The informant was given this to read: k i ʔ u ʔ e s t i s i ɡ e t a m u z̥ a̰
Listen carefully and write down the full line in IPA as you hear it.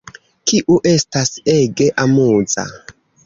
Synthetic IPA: k i ʔ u ʔ e s t a s e ɡ e ʔ a m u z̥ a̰

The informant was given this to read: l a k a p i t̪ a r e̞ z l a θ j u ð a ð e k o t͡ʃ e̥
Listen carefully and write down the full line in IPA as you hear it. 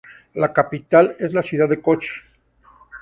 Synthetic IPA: l a k a p i t̪ a l e̞ z l a s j u ð a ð e k o t͡ʃ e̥

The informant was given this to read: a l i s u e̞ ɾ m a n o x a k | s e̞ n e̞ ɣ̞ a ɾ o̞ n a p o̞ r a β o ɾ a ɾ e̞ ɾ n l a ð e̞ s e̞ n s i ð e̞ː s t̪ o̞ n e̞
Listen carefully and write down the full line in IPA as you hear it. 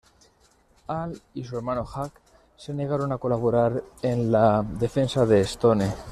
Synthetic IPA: a l i s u e̞ ɾ m a n o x a k | s e̞ n e̞ ɣ̞ a ɾ o̞ n a k o̞ l a β o ɾ a ɾ e̞ n l a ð e̞ f e̞ n s a ð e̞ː s t̪ o̞ n e̞

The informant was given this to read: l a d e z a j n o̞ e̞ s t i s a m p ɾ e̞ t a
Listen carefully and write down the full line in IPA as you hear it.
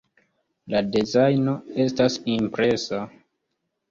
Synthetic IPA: l a d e z a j n o̞ e̞ s t a s i m p ɾ e̞ s a

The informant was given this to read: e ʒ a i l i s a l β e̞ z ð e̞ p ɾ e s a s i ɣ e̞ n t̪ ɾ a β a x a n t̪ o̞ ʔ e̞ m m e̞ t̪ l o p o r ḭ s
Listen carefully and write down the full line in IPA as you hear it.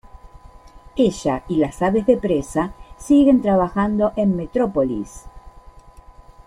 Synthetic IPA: e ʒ a i l a s a β e̞ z ð e̞ p ɾ e s a s i ɣ e̞ n t̪ ɾ a β a x a n d̪ o̞ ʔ e̞ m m e̞ t̪ ɾ o p o l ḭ s

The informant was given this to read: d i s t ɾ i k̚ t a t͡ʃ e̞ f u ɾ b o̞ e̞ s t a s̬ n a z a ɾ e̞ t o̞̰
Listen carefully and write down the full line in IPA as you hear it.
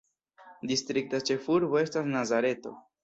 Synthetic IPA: d i s t ɾ i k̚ t a t͡ʃ e̞ f u ɾ b o̞ e̞ s t a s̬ n a z a ɾ e̞ t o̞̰

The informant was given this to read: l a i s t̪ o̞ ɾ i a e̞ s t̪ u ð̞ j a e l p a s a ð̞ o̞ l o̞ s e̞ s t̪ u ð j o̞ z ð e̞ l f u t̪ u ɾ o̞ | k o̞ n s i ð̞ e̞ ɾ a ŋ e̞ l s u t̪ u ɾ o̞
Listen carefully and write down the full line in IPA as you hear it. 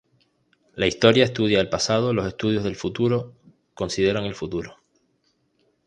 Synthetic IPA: l a i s t̪ o̞ ɾ j a e̞ s t̪ u ð̞ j a e l p a s a ð̞ o̞ l o̞ s e̞ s t̪ u ð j o̞ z ð e̞ l f u t̪ u ɾ o̞ | k o̞ n s i ð̞ e̞ ɾ a ŋ e̞ l f u t̪ u ɾ o̞

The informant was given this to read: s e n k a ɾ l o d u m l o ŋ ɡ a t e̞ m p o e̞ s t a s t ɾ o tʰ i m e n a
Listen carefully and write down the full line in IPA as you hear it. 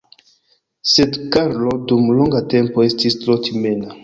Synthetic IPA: s e d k a ɾ l o d u m l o ŋ ɡ a t e̞ m p o e̞ s t i s t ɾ o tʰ i m e n a

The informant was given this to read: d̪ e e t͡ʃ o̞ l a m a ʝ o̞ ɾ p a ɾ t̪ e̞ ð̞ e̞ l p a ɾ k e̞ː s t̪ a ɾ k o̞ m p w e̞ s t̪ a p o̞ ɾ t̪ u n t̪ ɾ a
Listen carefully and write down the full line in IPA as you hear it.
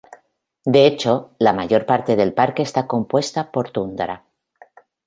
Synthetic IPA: d̪ e e t͡ʃ o̞ l a m a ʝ o̞ ɾ p a ɾ t̪ e̞ ð̞ e̞ l p a ɾ k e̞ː s t̪ a k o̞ m p w e̞ s t̪ a p o̞ ɾ t̪ u n d̪ ɾ a

